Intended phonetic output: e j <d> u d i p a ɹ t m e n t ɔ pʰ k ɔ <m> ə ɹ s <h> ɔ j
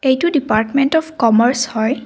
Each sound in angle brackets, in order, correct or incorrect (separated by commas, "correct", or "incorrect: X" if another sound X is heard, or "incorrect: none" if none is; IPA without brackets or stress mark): incorrect: t, correct, correct